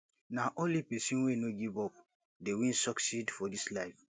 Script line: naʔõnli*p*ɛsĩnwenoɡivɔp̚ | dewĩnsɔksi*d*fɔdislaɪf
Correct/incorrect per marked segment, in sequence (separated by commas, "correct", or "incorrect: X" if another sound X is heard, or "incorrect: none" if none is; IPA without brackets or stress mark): correct, correct